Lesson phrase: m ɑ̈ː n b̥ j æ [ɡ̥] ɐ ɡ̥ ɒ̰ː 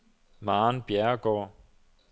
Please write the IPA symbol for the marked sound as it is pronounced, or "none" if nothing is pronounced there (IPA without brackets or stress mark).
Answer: none